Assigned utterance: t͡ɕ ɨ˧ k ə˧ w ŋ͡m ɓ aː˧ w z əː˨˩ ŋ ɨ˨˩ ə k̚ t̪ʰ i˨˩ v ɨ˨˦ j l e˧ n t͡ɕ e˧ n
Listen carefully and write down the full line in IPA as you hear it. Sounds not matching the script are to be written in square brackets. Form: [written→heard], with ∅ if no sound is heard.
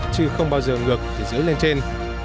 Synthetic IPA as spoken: t͡ɕ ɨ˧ [k→x] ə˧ w ŋ͡m ɓ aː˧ w z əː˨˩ ŋ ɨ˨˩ ə k̚ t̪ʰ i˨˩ [v→z] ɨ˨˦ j l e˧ n t͡ɕ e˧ n